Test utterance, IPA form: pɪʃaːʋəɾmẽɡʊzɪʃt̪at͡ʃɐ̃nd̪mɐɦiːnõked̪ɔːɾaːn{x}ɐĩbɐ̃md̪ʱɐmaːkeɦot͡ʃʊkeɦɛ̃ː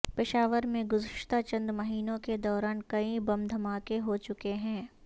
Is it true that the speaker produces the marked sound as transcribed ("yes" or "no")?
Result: no